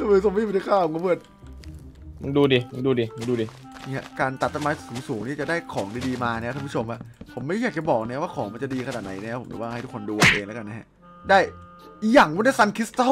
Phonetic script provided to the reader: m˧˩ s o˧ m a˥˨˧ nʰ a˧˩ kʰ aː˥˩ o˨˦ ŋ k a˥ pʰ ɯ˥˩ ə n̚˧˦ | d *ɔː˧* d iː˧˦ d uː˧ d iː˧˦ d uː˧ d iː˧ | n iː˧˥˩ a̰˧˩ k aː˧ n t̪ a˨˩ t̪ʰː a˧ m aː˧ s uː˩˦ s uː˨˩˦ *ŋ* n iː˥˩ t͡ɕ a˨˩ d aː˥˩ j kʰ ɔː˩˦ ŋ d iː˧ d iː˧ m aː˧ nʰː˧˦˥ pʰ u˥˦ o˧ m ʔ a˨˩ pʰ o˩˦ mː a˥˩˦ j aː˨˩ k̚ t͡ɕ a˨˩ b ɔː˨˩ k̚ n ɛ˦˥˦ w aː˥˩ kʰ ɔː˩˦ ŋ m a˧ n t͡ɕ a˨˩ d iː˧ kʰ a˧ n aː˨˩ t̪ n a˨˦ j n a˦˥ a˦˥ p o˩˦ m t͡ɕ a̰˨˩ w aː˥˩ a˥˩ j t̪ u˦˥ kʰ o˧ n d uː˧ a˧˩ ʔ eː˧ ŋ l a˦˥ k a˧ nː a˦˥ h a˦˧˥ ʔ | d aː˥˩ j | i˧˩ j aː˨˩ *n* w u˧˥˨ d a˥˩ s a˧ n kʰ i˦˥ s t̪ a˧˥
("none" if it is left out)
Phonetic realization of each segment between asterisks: uː˧, ŋ, ŋ

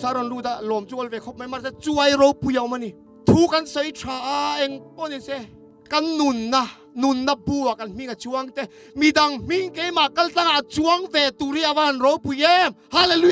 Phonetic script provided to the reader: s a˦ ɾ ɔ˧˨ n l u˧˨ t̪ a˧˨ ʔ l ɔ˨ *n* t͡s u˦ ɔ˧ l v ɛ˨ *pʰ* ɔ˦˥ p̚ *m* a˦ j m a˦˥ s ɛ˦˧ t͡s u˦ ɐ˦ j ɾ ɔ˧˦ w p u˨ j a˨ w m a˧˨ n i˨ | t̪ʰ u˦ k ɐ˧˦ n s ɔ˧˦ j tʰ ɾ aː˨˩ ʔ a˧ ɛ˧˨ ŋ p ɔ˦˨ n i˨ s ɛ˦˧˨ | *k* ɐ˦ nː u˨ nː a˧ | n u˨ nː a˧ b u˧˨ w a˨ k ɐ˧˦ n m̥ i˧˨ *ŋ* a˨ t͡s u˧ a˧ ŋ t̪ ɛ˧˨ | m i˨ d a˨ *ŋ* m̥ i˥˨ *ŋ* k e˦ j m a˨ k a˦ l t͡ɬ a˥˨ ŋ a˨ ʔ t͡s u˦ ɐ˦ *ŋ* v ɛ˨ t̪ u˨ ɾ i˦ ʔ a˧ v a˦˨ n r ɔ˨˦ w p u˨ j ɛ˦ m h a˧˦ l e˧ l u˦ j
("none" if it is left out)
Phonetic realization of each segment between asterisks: m, kʰ, m, k, ŋ, ŋ, ŋ, ŋ

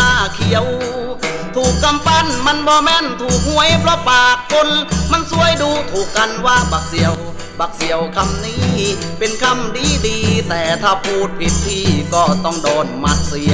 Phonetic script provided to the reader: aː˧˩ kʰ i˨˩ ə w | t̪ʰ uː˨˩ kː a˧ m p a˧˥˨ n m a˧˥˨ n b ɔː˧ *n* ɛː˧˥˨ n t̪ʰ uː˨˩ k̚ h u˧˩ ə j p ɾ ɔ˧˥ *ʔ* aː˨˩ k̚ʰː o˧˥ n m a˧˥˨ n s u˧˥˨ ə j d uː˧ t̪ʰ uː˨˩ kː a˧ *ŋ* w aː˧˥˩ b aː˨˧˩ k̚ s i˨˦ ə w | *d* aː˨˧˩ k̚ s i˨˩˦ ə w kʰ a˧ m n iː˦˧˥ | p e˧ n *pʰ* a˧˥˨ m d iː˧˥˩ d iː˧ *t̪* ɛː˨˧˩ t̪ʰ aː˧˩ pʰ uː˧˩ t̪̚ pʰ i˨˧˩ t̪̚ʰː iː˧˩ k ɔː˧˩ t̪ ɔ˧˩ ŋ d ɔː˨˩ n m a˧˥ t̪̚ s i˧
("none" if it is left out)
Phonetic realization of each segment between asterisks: m, p, n, b, kʰ, t̪

